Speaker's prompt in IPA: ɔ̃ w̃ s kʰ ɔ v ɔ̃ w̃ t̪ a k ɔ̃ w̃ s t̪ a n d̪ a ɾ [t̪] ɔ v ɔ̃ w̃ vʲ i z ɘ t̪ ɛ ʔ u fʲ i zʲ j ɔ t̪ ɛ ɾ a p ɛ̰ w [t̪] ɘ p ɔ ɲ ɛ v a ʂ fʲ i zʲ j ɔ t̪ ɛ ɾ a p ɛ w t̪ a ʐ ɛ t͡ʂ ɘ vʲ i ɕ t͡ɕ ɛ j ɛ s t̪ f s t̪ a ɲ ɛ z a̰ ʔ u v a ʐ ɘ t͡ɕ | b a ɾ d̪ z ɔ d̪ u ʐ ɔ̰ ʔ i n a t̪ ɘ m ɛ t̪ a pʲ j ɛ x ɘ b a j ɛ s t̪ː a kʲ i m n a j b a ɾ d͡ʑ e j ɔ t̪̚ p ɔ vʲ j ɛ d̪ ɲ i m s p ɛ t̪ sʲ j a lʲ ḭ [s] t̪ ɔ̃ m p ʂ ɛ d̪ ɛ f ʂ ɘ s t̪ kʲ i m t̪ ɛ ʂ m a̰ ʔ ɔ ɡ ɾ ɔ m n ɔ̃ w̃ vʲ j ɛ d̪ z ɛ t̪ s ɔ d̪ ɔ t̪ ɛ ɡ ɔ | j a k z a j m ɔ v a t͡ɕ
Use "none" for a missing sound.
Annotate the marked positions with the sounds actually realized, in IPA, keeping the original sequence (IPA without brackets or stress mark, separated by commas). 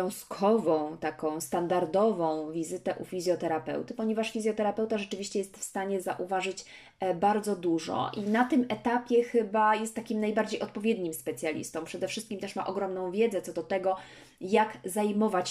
d̪, t̪, s